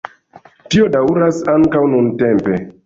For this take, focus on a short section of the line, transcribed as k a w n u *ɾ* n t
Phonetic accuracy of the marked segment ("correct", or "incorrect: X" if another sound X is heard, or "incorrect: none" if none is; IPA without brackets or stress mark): incorrect: none